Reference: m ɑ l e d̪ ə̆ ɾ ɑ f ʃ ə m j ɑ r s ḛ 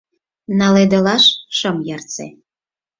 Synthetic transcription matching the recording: n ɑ l e d̪ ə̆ l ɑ ʃ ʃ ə m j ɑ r t͡s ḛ